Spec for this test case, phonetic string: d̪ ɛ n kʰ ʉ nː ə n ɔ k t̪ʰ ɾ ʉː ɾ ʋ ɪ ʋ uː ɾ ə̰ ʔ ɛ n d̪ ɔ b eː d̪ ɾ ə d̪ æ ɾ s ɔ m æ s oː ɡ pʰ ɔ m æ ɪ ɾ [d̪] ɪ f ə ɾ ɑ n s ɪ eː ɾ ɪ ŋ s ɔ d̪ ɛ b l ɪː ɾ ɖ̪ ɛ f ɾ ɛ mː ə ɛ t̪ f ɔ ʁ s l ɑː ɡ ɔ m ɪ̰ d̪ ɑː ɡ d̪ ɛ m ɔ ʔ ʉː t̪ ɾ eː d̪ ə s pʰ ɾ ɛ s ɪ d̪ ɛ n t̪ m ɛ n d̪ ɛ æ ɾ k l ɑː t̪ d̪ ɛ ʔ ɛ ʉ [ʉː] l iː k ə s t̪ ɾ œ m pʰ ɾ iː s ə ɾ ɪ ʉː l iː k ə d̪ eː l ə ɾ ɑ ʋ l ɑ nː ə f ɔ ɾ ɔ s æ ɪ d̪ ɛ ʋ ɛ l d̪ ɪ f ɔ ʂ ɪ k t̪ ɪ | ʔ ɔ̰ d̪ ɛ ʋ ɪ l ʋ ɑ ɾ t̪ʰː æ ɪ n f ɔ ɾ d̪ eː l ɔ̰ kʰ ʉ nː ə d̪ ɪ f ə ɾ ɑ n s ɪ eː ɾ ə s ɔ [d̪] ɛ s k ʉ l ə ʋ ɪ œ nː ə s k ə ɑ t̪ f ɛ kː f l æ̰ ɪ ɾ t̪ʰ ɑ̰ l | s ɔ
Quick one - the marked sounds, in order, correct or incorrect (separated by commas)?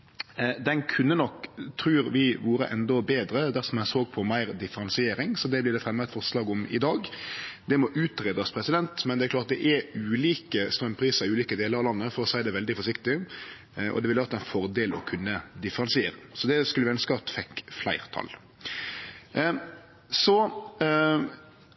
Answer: correct, correct, correct